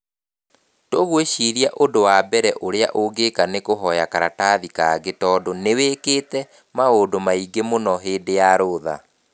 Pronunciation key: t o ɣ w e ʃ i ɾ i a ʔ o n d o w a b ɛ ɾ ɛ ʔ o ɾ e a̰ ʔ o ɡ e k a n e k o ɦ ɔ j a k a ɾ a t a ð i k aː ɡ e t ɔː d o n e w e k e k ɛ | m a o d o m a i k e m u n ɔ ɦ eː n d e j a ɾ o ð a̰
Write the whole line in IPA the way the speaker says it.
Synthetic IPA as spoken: t o ɣ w e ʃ i ɾ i a ʔ o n d o w a b ɛ ɾ ɛ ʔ o ɾ e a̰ ʔ o ɡ e k a n e k o ɦ ɔ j a k a ɾ a t a ð i k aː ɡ e t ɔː d o n e w e k e t ɛ | m a o d o m a i ɡ e m o n ɔ ɦ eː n d e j a ɾ o ð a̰